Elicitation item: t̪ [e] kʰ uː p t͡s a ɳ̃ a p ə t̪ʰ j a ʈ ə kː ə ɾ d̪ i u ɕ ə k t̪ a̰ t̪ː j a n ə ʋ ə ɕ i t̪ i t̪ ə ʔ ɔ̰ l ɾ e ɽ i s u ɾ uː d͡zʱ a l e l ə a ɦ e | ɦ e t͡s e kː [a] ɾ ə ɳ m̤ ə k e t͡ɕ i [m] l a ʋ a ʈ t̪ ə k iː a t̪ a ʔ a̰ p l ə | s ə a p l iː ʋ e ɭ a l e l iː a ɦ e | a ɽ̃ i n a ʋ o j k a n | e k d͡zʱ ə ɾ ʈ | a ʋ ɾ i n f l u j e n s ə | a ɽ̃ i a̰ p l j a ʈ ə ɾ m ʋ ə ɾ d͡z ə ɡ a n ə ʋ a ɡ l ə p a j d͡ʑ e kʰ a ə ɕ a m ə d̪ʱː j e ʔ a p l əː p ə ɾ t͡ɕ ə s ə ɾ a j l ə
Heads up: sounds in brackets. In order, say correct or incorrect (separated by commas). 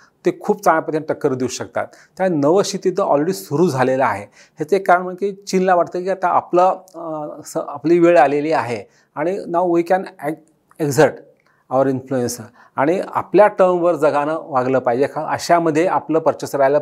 correct, correct, incorrect